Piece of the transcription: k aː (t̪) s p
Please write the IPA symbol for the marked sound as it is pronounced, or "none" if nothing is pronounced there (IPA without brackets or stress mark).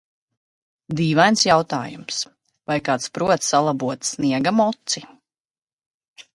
t̪